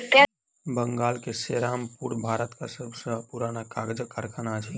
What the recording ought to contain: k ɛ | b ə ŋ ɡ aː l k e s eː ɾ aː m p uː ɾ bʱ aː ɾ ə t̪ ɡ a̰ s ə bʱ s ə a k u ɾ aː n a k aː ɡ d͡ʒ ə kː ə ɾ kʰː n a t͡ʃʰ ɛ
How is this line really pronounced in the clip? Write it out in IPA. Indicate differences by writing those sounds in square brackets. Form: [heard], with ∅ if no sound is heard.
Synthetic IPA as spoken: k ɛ | b ə ŋ ɡ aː l k e s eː ɾ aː m p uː ɾ bʱ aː ɾ ə t̪ [k] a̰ s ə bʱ s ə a [p] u ɾ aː n a k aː ɡ d͡ʒ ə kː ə ɾ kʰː n a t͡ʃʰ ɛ